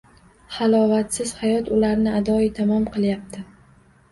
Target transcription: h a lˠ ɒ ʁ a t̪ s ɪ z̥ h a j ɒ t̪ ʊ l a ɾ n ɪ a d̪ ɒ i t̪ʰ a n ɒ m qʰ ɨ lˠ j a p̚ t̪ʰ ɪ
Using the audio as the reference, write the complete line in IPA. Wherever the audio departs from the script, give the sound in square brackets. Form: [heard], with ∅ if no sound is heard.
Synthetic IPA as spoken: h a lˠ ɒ [v] a t̪ s ɪ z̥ h a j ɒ t̪ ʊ l a ɾ n ɪ a d̪ ɒ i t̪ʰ a [m] ɒ m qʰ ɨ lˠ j a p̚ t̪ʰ ɪ